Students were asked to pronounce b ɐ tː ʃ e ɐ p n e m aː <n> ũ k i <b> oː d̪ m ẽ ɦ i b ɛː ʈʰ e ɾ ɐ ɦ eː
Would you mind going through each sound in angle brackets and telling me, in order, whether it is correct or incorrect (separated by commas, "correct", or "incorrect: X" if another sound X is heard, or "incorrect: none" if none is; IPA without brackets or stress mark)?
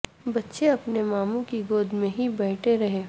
incorrect: m, incorrect: ɡ